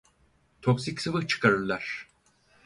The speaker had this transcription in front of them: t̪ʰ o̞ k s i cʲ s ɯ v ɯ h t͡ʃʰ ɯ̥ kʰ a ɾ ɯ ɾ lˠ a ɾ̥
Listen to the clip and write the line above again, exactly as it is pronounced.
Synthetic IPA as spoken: t̪ʰ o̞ k s i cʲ s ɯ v ɯ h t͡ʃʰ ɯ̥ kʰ a ɾ ɯ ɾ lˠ a ɾ̥